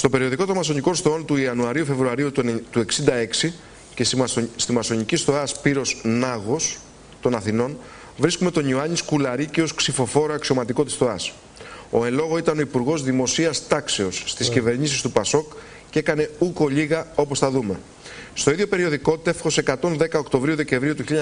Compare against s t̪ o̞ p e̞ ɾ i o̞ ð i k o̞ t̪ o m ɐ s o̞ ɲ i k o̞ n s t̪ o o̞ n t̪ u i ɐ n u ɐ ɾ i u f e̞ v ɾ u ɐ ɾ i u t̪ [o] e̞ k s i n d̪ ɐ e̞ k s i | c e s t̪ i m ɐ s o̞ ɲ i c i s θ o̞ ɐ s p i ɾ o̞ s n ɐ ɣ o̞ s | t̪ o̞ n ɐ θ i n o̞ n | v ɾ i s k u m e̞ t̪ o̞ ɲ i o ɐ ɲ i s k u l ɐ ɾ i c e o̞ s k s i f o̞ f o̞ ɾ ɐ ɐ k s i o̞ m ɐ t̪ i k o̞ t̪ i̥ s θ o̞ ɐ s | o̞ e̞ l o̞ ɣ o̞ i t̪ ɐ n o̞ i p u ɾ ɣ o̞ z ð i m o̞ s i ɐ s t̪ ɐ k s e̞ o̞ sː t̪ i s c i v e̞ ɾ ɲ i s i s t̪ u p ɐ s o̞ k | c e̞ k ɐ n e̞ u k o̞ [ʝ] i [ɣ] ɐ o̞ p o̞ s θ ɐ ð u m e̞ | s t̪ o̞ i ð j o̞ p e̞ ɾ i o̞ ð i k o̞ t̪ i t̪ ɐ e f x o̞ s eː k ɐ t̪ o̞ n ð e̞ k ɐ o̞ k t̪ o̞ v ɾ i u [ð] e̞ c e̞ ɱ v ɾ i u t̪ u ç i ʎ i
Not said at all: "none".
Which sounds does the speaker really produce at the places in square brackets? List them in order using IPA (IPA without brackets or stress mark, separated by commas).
u, ʎ, ɣ, ð